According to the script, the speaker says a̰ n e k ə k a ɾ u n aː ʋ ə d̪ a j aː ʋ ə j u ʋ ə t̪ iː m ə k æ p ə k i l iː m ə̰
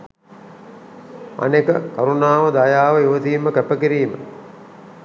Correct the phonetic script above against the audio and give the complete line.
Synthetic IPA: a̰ n e k ə k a ɾ u n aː ʋ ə d̪ a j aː ʋ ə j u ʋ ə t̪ iː m ə k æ p ə k i ɾ iː m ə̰